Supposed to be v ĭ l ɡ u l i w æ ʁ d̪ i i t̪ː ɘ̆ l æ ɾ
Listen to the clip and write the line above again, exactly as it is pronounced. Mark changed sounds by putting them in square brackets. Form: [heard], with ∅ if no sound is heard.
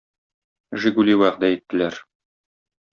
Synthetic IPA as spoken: [ʒ] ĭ [∅] ɡ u l i w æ ʁ d̪ [æ] i t̪ː ɘ̆ l æ ɾ

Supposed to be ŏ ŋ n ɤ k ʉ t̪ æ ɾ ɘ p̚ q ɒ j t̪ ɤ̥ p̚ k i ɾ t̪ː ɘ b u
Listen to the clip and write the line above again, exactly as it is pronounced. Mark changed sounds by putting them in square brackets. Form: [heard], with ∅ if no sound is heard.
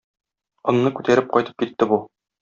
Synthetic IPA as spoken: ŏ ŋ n ɤ k ʉ t̪ æ ɾ ɘ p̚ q ɒ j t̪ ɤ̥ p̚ k i [∅] t̪ː ɘ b u

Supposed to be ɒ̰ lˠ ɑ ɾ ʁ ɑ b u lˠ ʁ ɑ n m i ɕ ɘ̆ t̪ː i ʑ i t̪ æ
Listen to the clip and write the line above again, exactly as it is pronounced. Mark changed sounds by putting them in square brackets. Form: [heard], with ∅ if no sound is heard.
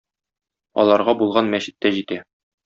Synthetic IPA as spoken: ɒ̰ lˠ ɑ ɾ ʁ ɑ b u lˠ ʁ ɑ n m [æ] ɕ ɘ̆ t̪ː [æ] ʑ i t̪ æ

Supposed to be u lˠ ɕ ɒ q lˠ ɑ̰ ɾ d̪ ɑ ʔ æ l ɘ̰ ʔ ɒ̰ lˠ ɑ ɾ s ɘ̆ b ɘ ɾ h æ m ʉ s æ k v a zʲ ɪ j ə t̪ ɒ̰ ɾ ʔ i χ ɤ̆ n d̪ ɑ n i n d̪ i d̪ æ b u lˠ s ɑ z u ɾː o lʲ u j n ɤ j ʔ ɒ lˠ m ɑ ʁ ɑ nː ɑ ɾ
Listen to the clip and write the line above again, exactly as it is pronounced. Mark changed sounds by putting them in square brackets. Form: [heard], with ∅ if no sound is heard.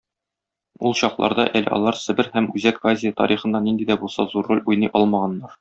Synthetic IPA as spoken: u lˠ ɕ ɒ q lˠ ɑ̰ ɾ d̪ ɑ ʔ æ l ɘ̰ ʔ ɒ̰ lˠ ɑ ɾ s ɘ̆ b ɘ ɾ h æ m ʉ [z] æ k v a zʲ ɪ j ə t̪ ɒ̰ ɾ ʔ i χ ɤ̆ n d̪ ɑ n i n d̪ i d̪ æ b u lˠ s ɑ z u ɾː o lʲ u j n ɤ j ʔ ɒ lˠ m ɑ ʁ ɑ nː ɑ ɾ

